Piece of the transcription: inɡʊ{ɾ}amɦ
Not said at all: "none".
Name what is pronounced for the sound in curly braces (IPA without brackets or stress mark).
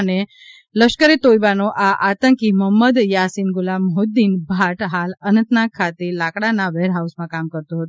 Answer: l